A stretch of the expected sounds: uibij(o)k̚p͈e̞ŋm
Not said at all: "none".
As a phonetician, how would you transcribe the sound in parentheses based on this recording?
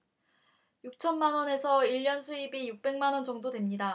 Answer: u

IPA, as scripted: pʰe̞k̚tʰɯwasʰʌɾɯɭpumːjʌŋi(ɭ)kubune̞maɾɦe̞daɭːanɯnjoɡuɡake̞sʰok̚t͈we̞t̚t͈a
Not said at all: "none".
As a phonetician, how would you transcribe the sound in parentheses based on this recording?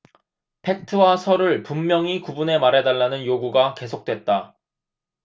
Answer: none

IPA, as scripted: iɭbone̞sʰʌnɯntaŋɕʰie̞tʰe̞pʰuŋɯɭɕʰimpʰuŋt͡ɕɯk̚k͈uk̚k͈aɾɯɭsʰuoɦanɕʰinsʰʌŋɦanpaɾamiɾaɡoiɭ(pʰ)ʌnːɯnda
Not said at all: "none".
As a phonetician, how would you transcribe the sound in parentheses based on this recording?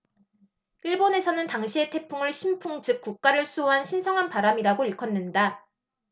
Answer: kʰ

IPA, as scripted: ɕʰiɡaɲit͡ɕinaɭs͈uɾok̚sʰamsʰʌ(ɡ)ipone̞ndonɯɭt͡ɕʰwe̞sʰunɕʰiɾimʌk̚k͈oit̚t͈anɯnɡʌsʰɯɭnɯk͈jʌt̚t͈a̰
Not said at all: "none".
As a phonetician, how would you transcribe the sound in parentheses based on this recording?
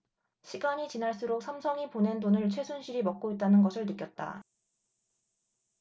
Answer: ŋ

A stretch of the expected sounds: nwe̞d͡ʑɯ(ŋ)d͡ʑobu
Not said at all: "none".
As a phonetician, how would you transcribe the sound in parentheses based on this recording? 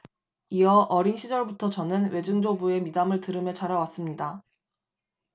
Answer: ŋ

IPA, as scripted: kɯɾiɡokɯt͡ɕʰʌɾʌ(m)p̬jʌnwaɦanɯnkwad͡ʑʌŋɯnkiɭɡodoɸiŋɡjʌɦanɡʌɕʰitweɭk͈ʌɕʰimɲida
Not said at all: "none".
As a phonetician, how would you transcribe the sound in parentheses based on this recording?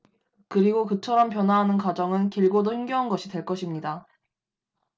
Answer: m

